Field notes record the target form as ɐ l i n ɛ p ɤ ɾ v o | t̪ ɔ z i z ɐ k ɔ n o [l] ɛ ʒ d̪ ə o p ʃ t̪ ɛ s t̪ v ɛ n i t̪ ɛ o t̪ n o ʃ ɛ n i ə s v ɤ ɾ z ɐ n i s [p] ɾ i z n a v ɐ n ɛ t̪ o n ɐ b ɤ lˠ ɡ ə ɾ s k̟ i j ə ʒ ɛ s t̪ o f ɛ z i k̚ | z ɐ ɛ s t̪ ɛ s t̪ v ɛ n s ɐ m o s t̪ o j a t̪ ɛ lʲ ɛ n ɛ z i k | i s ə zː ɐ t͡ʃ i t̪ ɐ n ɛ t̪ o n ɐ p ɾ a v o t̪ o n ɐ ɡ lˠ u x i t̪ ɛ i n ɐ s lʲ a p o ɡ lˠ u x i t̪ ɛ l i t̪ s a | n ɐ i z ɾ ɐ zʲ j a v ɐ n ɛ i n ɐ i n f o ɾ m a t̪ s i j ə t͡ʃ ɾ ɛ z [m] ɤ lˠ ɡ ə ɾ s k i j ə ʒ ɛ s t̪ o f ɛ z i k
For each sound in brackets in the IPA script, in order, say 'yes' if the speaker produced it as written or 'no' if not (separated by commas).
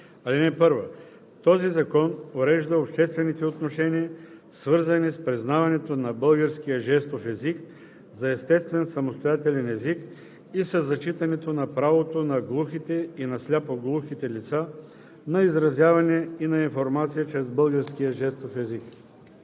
no, yes, no